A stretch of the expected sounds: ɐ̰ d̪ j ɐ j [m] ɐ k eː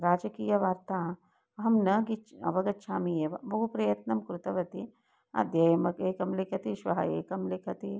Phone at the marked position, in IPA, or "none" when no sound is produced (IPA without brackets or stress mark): m